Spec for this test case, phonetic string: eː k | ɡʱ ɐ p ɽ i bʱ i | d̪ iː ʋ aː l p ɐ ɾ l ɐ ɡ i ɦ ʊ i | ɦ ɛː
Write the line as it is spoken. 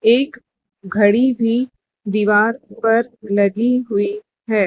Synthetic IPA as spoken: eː k | ɡʱ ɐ ɽ i bʱ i | d̪ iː ʋ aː ɾ p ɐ ɾ l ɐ ɡ i ɦ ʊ i | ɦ ɛː

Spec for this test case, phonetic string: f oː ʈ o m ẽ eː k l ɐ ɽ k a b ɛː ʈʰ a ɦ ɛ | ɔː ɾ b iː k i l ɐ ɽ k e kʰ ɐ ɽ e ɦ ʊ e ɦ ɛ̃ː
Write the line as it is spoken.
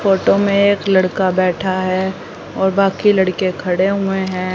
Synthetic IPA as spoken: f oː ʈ o m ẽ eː k l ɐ ɽ k a b ɛː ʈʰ a ɦ ɛ | ɔː ɾ b aː k i l ɐ ɽ k e kʰ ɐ ɽ e ɦ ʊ e ɦ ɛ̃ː

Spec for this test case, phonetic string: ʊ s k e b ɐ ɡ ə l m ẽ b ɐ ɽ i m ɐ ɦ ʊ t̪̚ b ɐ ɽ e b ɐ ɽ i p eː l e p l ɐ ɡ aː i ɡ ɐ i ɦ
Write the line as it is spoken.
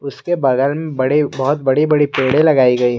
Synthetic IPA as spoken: ʊ s k e b ɐ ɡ ə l m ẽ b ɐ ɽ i b ɐ ɦ ʊ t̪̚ b ɐ ɽ i b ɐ ɽ i p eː ɽ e l ɐ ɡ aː i ɡ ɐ i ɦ

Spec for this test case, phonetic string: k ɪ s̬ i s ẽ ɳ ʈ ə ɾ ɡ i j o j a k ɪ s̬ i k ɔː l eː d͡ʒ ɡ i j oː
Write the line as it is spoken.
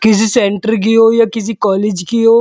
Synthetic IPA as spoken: k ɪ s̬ i s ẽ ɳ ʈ ə ɾ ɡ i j o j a k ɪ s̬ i k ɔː l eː d͡ʒ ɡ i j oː

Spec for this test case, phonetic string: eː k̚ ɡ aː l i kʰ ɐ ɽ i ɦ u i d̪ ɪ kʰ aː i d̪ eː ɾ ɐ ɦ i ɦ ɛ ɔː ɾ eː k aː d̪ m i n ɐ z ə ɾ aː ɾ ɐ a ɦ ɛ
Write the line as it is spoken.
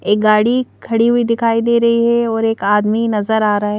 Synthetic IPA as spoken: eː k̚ ɡ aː ɽ i kʰ ɐ ɽ i ɦ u i d̪ ɪ kʰ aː i d̪ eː ɾ ɐ ɦ i ɦ ɛ ɔː ɾ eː k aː d̪ m i n ɐ z ə ɾ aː ɾ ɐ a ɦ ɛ

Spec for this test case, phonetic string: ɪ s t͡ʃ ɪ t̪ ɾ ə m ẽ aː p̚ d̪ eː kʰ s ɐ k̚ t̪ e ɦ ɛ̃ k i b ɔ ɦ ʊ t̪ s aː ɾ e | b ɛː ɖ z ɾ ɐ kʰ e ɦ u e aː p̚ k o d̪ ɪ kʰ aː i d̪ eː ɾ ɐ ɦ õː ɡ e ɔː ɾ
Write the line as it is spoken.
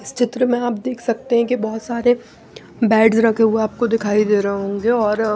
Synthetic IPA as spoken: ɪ s t͡ʃ ɪ t̪ ɾ ə m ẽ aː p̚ d̪ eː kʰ s ɐ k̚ t̪ e ɦ ɛ̃ k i b ɔ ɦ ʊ t̪ s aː ɾ e | b ɛː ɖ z ɾ ɐ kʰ e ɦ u e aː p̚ k o d̪ ɪ kʰ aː i d̪ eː ɾ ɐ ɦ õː ɡ e ɔː ɾ

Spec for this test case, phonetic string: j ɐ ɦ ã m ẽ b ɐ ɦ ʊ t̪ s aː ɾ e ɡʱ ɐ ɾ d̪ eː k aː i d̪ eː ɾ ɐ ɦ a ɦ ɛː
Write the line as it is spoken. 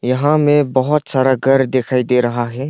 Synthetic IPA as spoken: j ɐ ɦ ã m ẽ b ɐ ɦ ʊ t̪ s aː ɾ a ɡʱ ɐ ɾ d̪ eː kʰ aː i d̪ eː ɾ ɐ ɦ a ɦ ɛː

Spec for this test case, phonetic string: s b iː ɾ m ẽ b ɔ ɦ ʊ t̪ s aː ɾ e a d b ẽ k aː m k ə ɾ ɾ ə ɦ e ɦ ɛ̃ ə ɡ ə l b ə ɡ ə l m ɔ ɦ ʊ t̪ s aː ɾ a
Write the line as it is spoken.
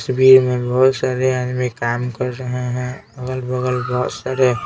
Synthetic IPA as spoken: s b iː ɾ m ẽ b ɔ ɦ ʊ t̪ s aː ɾ e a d m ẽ k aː m k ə ɾ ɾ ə ɦ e ɦ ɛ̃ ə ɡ ə l b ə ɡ ə l b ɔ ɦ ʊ t̪ s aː ɾ e

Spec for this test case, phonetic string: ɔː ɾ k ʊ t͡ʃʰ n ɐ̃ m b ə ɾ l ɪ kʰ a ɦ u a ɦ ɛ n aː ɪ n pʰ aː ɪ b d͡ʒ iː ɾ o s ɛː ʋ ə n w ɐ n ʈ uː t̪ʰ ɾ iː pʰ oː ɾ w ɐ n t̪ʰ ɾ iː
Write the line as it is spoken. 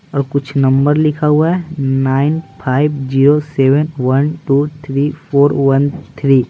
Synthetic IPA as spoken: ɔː ɾ k ʊ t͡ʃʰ n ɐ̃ m b ə ɾ l ɪ kʰ a ɦ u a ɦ ɛ n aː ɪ n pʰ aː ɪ b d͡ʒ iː ɾ o s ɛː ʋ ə n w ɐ n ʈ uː t̪ʰ ɾ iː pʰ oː ɾ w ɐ n t̪ʰ ɾ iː

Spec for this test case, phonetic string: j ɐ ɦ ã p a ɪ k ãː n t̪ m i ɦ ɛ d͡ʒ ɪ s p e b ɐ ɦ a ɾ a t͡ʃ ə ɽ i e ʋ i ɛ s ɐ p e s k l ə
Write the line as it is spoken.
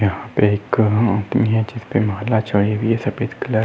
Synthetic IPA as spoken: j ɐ ɦ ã p e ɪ k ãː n t̪ m i ɦ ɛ d͡ʒ ɪ s p e m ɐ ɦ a l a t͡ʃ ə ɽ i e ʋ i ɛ s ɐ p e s k l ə

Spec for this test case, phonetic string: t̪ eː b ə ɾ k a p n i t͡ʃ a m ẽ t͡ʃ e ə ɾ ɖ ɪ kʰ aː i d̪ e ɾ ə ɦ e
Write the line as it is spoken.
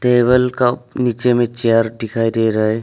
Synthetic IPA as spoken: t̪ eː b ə l k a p n i t͡ʃ e m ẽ t͡ʃ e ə ɾ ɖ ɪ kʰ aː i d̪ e ɾ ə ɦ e

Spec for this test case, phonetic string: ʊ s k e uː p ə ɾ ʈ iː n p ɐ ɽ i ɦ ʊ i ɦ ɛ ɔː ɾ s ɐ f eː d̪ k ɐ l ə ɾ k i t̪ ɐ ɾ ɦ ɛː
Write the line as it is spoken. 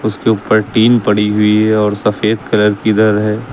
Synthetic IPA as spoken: ʊ s k e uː p ə ɾ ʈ iː m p ɐ ɽ i ɦ ʊ i ɦ ɛ ɔː ɾ s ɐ f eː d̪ k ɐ l ə ɾ k i d̪ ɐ ɾ ɦ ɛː

